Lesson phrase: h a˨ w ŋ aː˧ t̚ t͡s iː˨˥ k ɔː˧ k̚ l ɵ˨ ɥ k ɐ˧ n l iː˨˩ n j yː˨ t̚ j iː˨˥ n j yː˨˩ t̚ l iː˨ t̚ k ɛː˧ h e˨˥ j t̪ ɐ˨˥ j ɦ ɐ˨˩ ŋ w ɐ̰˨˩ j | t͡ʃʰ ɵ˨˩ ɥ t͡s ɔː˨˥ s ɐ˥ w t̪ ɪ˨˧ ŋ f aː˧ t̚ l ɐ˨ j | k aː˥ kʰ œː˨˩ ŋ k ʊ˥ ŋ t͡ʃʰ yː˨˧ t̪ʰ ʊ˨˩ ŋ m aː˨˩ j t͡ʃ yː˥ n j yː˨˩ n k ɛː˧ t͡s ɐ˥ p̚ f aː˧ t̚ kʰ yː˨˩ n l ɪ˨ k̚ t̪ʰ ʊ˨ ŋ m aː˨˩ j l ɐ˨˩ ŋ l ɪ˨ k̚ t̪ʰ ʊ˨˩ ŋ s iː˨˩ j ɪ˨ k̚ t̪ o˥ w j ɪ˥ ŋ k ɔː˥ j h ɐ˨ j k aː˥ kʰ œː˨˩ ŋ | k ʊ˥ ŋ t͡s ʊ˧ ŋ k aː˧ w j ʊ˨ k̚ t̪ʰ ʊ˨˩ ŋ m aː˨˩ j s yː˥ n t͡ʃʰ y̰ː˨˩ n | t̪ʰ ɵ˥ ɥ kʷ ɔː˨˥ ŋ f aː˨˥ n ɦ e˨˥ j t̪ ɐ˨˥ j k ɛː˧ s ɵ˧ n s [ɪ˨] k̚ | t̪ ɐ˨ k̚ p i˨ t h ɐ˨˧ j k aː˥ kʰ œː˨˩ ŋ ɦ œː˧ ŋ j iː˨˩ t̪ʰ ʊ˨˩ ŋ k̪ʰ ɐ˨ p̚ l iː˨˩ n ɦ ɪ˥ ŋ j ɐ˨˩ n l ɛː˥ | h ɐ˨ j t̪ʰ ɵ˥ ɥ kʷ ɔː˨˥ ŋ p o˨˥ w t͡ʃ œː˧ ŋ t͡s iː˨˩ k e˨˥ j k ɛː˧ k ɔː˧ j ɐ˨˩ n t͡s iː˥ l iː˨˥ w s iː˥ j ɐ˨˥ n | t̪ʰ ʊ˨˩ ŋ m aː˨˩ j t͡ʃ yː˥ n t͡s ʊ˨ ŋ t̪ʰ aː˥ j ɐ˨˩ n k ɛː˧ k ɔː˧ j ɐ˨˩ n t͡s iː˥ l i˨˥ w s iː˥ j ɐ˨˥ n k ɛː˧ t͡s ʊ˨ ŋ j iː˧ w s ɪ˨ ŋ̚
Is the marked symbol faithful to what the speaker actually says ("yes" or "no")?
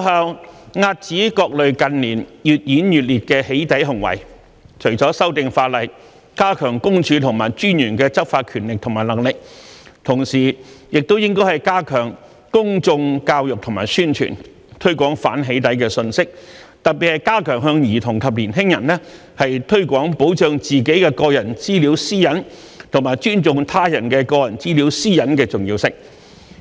no